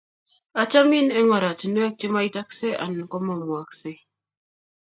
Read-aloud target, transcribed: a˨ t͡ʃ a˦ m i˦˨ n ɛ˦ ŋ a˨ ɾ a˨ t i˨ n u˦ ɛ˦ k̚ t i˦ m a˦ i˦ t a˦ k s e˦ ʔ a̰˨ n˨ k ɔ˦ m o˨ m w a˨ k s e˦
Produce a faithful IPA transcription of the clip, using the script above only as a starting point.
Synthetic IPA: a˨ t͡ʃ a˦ m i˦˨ n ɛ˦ ŋ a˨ ɾ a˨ t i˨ n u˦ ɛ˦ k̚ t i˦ m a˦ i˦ t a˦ k s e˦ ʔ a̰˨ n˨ k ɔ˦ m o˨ m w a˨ k s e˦